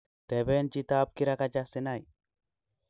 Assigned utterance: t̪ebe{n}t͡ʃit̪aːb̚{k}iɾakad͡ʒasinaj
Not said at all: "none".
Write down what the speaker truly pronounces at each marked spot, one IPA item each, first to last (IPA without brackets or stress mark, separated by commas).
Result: n, k